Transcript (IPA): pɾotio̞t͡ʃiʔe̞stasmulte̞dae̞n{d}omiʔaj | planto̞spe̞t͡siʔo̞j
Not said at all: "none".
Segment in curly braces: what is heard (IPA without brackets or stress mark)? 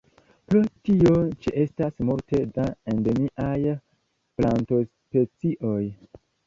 d